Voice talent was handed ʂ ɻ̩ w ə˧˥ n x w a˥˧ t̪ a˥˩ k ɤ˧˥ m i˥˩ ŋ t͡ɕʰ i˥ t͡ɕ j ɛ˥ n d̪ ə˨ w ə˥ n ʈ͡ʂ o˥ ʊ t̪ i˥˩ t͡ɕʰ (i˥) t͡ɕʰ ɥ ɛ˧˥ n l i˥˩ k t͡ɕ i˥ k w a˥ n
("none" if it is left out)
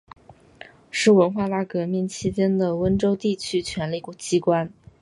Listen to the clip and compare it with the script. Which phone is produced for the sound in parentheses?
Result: y˥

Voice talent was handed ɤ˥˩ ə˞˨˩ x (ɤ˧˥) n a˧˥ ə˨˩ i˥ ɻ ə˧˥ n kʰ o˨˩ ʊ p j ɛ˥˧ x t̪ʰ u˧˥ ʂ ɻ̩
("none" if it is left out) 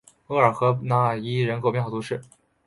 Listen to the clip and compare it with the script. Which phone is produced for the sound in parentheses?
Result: ɤ˧˥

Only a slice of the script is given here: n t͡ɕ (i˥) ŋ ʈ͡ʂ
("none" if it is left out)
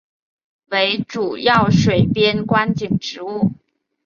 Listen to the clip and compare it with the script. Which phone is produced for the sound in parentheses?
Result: i˨˩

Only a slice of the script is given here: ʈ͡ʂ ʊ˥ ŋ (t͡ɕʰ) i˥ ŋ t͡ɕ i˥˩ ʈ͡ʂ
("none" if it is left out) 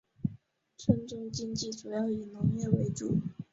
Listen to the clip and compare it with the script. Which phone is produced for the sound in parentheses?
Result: t͡ɕ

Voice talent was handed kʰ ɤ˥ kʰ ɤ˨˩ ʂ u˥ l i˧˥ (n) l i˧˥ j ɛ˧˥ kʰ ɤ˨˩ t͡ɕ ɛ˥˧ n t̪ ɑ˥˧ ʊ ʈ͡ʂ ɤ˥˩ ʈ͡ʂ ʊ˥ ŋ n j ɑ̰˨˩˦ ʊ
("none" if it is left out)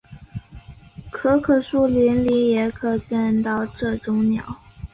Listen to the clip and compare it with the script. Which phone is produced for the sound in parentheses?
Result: n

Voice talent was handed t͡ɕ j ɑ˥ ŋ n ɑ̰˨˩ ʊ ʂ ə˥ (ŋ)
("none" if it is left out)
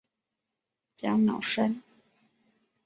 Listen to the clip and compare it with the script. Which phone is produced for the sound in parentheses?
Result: n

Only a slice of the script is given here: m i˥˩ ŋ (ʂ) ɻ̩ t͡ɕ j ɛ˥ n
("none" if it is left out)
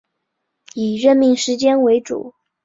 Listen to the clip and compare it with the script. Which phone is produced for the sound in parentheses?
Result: ʂ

